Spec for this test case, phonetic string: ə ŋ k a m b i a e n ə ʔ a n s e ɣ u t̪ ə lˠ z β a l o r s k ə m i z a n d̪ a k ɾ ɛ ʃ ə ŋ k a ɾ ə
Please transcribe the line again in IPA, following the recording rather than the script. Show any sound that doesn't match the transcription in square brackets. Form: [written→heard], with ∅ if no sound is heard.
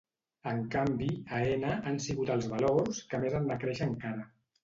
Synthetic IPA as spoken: ə ŋ k a m b i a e n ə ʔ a n s [e→i] ɣ u t̪ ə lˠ z β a l o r s k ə m [i→e] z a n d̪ a k ɾ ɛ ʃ ə ŋ k a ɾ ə

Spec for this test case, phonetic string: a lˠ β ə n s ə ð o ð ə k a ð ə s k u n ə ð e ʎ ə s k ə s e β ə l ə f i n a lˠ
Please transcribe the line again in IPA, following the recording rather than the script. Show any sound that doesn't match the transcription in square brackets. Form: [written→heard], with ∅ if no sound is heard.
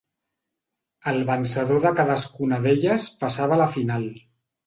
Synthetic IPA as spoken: [a→ə] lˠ β ə n s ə ð o ð ə k a ð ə s k u n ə ð e ʎ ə s [k→p] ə s [e→a] β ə l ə f i n a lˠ

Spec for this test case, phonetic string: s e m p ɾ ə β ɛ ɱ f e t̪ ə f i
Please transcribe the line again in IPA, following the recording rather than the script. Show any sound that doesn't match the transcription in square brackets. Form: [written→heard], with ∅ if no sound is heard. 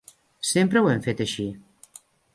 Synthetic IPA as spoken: s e m p ɾ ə [β→w] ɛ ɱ f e t̪ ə [f→ʃ] i

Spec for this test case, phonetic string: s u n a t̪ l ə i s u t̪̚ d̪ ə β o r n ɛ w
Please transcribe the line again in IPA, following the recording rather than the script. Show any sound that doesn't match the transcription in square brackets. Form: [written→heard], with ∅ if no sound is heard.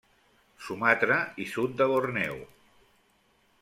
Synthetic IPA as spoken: s u [n→m] a t̪ [l→ɾ] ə i s u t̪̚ d̪ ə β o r n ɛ w

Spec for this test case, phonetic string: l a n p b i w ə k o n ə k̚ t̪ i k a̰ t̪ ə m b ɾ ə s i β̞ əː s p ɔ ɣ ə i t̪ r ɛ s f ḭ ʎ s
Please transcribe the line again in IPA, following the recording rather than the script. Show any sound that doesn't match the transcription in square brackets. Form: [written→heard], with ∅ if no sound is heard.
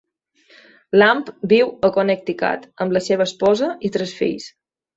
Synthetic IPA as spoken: l a [n→m] p b i w ə k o n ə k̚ t̪ i k a̰ t̪ ə m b [ɾ→l] ə s [i→e] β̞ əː s p ɔ [ɣ→z] ə i t̪ [r→ɾ] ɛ s f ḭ ʎ s

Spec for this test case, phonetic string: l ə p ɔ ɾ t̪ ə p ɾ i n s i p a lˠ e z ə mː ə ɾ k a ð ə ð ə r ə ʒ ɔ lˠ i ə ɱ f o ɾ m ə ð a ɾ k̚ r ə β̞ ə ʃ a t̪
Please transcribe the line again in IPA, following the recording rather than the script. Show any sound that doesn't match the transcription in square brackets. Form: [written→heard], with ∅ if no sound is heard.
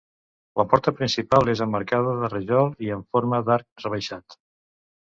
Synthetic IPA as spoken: l ə p ɔ ɾ t̪ ə p ɾ i n s i p a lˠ e z ə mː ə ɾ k a ð ə ð ə r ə ʒ ɔ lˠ i ə ɱ f o ɾ m ə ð a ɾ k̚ r ə β̞ ə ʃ a t̪

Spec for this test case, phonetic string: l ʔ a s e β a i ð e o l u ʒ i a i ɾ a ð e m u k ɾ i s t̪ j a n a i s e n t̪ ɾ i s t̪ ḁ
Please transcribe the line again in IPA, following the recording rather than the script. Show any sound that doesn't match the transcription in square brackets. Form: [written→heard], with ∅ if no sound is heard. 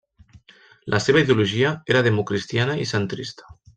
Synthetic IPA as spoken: l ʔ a s e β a i ð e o l u ʒ i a [i→e] ɾ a ð e m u k ɾ i s t̪ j a n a i s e n t̪ ɾ i s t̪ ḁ

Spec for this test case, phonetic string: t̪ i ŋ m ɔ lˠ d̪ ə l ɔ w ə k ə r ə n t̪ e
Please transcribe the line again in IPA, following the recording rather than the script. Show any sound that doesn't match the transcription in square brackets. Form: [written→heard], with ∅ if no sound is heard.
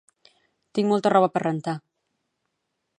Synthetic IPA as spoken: t̪ i ŋ m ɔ lˠ [d̪→t̪] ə [l→r] ɔ [w→β] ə [k→p] ə r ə n t̪ [e→a]

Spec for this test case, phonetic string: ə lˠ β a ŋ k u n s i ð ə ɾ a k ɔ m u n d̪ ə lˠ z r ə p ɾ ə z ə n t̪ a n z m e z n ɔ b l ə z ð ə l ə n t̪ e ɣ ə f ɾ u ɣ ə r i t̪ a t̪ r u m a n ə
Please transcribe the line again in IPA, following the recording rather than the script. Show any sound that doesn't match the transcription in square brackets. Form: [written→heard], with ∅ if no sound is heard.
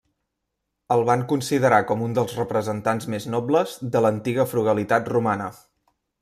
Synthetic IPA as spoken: ə lˠ β a ŋ k u n s i ð ə ɾ a k ɔ m u n d̪ ə lˠ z r ə p ɾ ə z ə n t̪ a n z m e z n ɔ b l ə z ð ə l ə n t̪ [e→i] ɣ ə f ɾ u ɣ ə [r→l] i t̪ a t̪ r u m a n ə

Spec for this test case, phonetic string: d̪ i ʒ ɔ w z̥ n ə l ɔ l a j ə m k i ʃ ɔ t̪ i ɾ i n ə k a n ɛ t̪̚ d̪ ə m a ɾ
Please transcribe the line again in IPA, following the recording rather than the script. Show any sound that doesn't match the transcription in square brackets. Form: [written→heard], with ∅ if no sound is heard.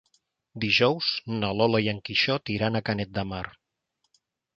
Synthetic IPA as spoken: d̪ i ʒ ɔ w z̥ n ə l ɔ l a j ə [m→ŋ] k i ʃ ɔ t̪ i ɾ [i→a] n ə k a n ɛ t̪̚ d̪ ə m a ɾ

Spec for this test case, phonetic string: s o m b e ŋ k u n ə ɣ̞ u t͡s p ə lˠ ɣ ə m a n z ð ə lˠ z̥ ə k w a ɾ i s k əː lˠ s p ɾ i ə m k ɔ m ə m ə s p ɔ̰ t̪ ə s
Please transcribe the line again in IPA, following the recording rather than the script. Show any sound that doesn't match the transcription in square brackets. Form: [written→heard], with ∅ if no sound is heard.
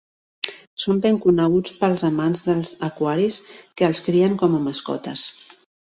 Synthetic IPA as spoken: s o m b e ŋ k u n ə ɣ̞ u t͡s p ə lˠ [ɣ→z] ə m a n z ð ə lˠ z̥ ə k w a ɾ i s k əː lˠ s [p→k] ɾ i ə [m→ŋ] k ɔ m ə m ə s [p→k] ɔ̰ t̪ ə s

